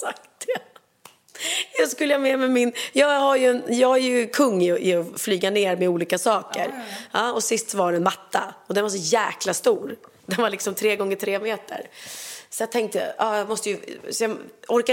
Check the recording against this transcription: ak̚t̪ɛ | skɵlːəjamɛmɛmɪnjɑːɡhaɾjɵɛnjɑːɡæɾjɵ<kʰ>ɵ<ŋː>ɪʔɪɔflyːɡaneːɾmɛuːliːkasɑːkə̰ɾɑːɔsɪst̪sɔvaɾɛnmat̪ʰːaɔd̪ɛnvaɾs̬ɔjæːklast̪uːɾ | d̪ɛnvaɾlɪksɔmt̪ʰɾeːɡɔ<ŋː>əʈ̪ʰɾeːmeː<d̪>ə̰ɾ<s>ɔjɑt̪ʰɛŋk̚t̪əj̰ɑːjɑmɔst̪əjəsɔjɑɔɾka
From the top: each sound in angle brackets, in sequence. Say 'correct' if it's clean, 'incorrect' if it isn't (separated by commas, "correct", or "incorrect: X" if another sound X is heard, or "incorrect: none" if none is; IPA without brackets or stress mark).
correct, correct, correct, incorrect: t̪, correct